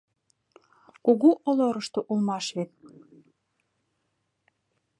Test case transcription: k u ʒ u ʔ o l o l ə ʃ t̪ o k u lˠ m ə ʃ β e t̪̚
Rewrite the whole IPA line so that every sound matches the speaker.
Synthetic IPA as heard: k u ɣ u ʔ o l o ɾ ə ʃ t̪ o ʔ u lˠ m ɑ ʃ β e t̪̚